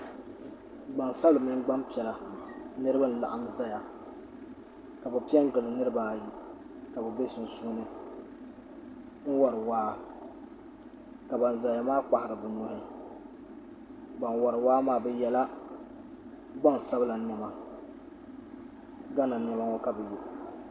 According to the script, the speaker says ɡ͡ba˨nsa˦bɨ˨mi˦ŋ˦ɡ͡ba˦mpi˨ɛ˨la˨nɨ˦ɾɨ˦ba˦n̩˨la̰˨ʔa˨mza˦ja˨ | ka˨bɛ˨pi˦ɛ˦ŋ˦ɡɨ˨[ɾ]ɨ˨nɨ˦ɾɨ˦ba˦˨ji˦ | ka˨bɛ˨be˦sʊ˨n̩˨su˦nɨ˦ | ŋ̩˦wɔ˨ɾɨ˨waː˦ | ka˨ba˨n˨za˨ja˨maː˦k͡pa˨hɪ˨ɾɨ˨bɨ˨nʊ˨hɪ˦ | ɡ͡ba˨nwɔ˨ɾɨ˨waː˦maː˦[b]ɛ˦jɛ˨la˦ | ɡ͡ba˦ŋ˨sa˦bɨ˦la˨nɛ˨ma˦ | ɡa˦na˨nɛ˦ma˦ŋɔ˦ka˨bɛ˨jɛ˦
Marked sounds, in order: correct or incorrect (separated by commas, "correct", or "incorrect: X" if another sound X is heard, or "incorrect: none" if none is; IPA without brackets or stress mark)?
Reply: incorrect: l, correct